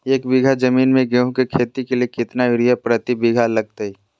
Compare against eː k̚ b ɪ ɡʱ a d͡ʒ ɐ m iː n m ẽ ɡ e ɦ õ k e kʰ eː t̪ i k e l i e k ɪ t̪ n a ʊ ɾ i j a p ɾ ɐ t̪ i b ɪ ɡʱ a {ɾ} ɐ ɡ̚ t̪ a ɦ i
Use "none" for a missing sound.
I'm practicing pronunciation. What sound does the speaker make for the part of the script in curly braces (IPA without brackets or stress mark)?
l